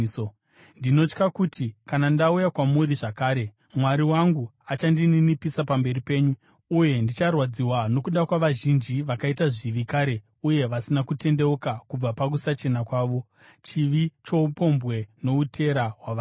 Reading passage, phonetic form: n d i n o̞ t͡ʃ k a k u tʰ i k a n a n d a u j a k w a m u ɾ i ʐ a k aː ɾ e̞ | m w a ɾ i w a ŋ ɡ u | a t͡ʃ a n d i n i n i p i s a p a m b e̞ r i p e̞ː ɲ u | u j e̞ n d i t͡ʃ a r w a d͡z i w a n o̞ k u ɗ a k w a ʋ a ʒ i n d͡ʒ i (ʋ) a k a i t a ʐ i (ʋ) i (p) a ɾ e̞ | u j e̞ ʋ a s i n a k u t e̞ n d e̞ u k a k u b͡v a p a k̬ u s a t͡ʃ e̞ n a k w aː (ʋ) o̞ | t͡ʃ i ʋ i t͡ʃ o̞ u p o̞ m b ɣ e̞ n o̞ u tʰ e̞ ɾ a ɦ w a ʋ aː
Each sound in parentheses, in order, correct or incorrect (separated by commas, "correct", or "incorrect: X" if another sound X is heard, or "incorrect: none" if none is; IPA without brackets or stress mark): correct, correct, incorrect: k, correct